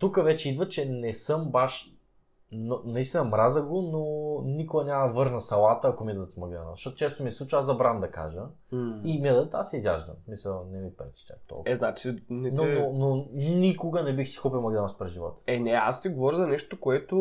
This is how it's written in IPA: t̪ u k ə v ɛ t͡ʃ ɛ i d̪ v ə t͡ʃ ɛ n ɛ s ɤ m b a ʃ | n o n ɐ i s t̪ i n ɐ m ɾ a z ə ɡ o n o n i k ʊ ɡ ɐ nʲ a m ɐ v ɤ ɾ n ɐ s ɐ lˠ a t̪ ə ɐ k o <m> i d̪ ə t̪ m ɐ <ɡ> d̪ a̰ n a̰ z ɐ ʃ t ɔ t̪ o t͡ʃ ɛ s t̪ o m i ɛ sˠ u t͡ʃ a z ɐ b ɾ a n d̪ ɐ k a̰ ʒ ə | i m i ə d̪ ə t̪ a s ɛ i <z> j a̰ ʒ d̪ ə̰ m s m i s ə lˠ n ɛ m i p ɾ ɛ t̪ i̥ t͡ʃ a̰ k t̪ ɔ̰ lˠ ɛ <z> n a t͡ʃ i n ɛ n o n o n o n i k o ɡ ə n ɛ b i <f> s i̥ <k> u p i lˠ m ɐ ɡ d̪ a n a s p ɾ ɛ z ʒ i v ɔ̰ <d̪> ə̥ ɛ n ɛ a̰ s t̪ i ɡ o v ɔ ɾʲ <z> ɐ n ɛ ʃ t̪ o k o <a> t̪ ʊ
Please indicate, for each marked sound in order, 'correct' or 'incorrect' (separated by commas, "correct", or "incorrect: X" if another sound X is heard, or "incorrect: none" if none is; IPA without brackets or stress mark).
correct, correct, correct, correct, incorrect: x, incorrect: x, incorrect: t̪, correct, incorrect: ɛ